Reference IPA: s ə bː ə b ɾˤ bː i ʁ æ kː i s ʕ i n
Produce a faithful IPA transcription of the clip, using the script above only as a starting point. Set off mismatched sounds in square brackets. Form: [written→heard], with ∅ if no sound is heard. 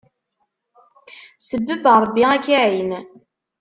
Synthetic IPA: s ə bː ə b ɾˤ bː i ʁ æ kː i [s→∅] ʕ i n

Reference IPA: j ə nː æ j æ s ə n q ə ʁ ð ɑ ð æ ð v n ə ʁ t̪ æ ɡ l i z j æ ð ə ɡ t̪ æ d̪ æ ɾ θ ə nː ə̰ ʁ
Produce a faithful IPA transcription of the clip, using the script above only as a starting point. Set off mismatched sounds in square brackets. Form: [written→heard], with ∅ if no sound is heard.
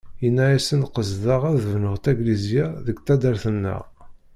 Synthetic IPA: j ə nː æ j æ s ə n q ə [ʁ→z] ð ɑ [ð→ʁ] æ ð v n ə ʁ t̪ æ ɡ l i z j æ ð ə ɡ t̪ æ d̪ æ ɾ θ ə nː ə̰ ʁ

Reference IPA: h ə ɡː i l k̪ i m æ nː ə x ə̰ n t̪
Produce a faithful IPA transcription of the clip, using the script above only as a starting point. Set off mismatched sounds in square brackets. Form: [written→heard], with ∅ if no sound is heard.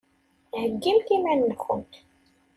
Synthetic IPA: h ə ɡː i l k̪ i m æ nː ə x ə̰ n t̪

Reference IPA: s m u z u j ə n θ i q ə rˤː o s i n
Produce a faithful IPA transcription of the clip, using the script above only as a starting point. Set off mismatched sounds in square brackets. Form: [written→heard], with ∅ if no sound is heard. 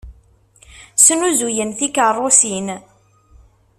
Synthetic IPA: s [m→n] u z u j ə n θ i [q→k] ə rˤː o s i n

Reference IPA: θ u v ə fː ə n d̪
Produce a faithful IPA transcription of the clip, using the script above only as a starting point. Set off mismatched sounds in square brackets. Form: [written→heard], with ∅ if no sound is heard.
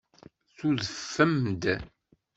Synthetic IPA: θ u [v→ð] ə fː ə [n→m] d̪

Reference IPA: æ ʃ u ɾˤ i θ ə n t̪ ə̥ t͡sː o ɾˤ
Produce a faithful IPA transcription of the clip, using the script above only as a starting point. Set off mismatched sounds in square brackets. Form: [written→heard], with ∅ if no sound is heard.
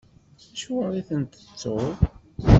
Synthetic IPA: æ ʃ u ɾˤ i θ ə n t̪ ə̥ t͡sː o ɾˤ

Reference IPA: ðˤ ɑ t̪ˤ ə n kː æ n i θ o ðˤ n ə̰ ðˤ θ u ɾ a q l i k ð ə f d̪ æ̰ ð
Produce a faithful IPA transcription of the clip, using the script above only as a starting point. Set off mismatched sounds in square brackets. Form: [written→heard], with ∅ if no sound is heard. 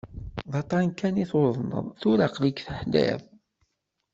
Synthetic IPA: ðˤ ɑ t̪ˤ [ə→ɑ] n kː æ n i θ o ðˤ n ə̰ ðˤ θ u ɾ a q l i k [ð→θ] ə [f→ħ] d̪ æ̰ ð

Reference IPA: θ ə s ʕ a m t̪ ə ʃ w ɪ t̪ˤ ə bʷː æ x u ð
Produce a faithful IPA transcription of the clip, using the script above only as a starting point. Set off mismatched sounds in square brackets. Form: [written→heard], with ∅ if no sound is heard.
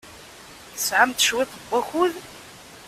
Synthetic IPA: θ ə s ʕ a m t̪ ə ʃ w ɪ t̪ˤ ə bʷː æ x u ð

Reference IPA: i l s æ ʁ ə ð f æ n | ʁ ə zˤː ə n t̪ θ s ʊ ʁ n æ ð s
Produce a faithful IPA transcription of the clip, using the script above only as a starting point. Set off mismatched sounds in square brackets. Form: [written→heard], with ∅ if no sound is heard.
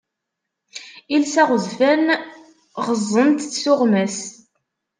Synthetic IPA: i l s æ ʁ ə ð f æ n | ʁ ə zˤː ə n t̪ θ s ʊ ʁ [n→m] æ [ð→∅] s

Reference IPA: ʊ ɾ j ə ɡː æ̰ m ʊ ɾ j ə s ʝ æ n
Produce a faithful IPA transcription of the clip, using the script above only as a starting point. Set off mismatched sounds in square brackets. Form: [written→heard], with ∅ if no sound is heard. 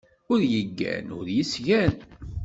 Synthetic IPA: ʊ ɾ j ə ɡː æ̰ [m→n] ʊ ɾ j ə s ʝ æ n

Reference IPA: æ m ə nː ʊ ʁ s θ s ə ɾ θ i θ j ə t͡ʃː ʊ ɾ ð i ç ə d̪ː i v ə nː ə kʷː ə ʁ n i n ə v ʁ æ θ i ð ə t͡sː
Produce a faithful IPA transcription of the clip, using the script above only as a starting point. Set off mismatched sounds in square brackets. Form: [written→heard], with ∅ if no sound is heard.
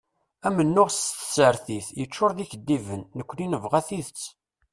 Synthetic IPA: æ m ə nː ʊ ʁ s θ s ə ɾ θ i θ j ə t͡ʃː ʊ ɾ ð i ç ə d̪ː i v ə nː ə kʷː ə [ʁ→∅] n i n ə v ʁ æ θ i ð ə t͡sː

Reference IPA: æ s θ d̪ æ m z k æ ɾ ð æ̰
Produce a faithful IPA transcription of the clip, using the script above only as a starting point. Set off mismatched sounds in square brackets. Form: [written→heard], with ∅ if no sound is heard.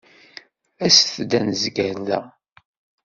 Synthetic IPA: æ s θ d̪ æ [m→n] z [k→ɡ] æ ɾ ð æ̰

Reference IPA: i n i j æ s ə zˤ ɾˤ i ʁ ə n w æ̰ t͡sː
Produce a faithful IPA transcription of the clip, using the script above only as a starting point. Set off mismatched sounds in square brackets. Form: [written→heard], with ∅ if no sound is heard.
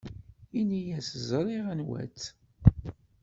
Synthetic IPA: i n i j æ s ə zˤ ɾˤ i ʁ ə n w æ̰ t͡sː

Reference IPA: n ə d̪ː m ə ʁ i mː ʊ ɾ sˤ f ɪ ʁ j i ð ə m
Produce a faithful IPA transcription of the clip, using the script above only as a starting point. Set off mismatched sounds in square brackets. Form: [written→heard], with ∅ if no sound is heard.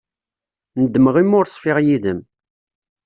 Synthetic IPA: n ə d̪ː m ə ʁ i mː ʊ ɾ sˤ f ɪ ʁ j i ð ə m

